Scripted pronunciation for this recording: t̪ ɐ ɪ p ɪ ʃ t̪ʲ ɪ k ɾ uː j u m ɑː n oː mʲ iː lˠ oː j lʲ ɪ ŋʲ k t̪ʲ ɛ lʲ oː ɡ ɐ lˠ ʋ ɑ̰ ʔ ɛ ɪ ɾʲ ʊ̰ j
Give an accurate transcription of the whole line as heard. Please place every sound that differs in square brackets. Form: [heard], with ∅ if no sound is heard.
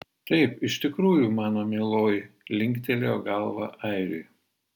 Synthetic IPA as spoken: t̪ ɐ ɪ p ɪ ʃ t̪ʲ ɪ k ɾ uː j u m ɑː n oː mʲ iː lˠ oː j lʲ ɪ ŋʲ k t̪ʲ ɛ lʲ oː ɡ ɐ lˠ ʋ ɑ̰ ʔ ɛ ɪ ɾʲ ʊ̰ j